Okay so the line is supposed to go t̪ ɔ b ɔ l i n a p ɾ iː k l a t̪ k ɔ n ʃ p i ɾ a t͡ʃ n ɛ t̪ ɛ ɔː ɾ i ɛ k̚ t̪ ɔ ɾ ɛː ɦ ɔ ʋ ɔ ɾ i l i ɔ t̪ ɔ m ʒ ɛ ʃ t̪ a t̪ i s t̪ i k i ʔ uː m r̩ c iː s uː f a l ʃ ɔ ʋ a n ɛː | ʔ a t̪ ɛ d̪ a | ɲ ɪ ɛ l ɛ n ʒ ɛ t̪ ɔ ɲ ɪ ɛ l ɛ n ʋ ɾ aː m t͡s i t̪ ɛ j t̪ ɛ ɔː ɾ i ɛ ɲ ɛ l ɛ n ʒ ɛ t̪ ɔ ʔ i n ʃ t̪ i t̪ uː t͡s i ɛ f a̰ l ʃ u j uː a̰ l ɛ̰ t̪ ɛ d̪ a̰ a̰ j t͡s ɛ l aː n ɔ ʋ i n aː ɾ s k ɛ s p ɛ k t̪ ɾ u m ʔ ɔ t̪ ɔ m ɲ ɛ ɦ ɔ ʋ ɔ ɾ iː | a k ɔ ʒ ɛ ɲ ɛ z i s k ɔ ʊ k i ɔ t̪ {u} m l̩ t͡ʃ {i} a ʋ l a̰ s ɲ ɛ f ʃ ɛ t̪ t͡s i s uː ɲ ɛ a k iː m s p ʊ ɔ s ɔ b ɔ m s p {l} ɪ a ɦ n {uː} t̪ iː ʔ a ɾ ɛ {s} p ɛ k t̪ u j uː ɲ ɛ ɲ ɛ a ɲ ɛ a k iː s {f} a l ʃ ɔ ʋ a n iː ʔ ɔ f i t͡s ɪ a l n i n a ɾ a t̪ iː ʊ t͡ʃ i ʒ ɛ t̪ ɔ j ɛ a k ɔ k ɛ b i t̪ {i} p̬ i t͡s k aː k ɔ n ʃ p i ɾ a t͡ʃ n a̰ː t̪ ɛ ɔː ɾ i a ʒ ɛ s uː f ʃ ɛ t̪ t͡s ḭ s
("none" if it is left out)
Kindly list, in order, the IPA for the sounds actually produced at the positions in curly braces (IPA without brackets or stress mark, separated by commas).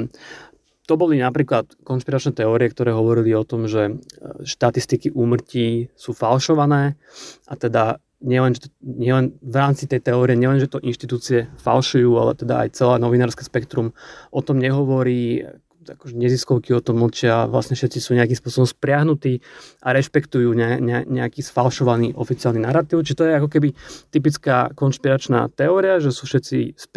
ɔ, ɪ, ɾ, u, ʃ, f, i